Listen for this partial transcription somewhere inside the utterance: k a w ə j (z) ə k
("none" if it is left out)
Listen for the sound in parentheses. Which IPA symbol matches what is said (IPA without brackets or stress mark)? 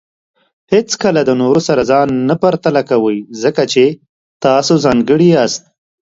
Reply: z